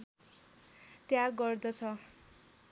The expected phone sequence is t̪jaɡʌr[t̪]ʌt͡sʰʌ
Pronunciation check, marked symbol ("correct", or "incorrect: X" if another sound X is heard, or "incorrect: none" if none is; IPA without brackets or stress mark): incorrect: d̪